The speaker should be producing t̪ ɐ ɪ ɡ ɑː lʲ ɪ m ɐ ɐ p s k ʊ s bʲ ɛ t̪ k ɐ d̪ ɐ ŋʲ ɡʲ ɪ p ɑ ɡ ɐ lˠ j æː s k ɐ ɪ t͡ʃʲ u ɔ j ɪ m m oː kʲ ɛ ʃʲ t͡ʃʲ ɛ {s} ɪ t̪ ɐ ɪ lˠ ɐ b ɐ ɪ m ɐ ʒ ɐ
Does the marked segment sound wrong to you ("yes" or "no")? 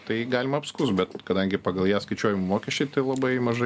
yes